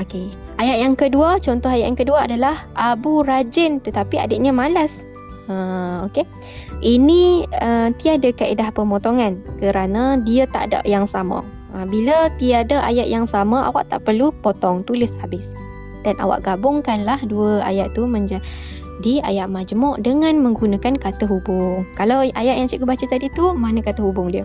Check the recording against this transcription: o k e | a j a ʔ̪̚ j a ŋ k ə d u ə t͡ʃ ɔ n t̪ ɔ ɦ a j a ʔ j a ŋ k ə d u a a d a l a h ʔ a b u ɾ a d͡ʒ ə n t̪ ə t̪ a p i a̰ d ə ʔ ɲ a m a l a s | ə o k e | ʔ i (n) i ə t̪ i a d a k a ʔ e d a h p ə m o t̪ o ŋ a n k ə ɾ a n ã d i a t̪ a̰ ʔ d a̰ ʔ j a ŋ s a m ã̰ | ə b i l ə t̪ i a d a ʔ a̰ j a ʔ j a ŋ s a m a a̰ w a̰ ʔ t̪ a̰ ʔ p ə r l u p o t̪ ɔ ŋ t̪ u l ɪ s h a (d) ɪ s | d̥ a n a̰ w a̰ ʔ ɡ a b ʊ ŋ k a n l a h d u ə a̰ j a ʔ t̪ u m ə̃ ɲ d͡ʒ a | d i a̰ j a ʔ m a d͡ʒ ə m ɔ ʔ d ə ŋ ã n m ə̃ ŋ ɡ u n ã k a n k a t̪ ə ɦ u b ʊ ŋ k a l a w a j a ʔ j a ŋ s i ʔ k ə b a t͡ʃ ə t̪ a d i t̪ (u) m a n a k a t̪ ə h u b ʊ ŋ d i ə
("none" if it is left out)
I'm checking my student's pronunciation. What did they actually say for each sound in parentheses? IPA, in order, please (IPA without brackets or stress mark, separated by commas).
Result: n, b, u